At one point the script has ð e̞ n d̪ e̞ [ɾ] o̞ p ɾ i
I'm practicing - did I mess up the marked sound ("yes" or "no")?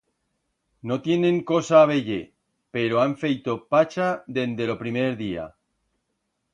yes